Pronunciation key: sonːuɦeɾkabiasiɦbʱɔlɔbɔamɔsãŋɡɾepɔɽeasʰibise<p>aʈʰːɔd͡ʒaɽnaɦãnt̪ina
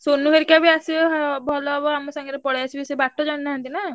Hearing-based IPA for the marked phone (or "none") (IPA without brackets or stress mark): b